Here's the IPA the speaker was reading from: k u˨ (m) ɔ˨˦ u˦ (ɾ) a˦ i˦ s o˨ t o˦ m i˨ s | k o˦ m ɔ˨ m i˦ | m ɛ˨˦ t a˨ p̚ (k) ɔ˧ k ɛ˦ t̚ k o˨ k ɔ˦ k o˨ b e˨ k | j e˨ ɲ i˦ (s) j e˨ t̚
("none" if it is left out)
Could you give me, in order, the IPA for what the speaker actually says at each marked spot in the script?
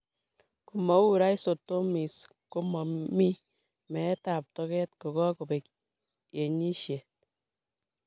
m, ɾ, t, ʃ

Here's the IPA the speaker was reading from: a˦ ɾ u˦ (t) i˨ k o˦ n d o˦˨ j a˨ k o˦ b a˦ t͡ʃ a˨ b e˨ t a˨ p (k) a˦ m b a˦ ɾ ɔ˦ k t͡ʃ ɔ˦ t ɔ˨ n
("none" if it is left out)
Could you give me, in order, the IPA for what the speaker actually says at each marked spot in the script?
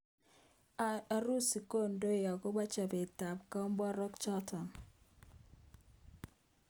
s, k

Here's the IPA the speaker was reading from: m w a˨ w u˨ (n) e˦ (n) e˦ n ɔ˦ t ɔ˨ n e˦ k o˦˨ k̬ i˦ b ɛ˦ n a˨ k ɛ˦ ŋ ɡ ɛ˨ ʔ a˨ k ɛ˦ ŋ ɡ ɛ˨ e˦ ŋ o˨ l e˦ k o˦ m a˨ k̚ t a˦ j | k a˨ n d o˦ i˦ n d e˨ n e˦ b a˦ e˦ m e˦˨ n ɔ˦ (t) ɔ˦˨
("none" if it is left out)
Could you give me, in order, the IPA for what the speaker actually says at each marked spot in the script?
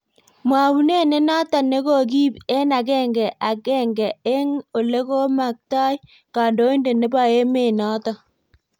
n, n, t

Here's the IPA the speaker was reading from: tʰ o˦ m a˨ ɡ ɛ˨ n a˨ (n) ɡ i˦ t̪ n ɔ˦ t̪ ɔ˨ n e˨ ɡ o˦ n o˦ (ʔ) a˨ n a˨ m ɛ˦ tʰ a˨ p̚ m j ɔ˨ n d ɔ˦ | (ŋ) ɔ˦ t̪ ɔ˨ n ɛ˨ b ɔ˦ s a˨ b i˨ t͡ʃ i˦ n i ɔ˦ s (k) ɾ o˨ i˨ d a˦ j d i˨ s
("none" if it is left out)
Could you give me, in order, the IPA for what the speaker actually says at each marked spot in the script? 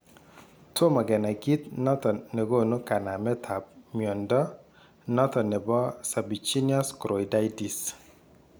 none, k, n, k

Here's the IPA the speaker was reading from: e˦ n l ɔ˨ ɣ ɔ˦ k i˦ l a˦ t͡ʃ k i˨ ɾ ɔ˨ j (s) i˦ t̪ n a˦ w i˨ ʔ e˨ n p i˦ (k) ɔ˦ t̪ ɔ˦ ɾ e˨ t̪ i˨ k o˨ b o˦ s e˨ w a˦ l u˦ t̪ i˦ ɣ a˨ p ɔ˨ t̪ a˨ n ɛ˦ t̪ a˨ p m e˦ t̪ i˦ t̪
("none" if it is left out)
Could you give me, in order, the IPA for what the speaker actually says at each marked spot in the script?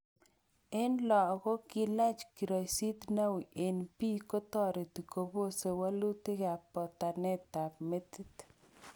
s, k

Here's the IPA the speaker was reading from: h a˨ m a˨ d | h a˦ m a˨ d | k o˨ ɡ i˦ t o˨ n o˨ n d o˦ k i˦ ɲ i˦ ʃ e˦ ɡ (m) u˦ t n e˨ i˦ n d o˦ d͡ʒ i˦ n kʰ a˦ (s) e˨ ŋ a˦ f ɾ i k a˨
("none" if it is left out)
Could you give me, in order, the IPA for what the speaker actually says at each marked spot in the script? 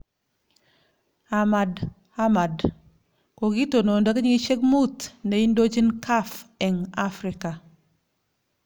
m, f

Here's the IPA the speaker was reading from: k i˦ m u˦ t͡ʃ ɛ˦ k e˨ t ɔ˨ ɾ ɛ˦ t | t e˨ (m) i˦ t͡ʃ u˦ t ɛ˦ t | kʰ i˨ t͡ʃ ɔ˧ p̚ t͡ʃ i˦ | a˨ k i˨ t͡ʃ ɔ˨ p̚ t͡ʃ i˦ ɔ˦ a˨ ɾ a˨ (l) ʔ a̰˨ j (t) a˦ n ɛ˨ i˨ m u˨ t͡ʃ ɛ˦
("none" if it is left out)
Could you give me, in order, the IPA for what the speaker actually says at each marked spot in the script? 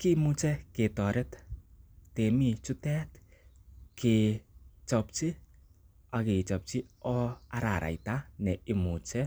m, ɾ, t

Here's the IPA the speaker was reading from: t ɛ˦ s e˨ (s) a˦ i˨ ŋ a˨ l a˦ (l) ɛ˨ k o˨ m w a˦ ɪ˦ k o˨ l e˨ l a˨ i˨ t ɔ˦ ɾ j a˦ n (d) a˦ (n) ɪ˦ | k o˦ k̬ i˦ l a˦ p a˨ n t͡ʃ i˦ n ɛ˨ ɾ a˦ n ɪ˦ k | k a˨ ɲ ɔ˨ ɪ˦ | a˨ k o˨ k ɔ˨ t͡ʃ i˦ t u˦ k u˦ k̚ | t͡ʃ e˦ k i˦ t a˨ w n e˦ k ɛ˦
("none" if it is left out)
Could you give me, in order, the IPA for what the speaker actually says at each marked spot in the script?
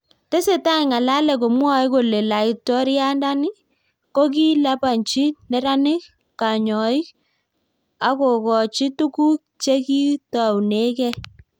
t, l, d, n

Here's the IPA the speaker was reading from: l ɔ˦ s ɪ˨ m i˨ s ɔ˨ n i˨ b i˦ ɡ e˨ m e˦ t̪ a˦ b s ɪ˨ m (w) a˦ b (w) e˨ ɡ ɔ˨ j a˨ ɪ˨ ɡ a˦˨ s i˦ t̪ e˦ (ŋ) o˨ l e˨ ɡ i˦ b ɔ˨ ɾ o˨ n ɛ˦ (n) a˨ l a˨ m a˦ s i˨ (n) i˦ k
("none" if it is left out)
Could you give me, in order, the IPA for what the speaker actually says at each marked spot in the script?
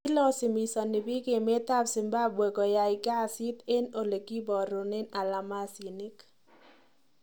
b, w, n, n, n

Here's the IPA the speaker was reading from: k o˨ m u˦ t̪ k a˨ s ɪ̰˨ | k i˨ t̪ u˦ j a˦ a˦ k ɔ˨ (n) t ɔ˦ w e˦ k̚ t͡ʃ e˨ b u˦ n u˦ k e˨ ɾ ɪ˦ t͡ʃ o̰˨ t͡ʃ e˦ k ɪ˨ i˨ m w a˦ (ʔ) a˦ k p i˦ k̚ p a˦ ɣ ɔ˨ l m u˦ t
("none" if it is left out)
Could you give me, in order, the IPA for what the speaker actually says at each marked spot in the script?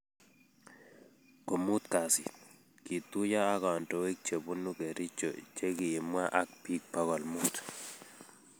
n, ʔ

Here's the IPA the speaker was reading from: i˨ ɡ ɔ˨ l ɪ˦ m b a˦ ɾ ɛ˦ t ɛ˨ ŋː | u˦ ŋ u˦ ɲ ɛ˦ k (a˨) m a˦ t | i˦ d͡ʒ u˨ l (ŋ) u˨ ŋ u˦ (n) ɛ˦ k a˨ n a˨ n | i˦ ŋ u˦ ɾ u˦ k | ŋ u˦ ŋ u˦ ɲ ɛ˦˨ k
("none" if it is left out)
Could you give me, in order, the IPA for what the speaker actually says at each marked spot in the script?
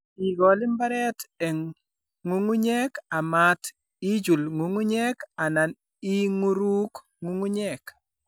a˨, ŋ, ɲ

